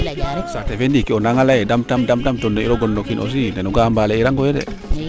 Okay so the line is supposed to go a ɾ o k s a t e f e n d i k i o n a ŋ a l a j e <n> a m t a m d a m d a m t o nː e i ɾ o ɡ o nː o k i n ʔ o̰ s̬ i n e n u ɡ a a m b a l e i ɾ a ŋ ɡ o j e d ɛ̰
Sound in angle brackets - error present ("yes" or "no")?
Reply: yes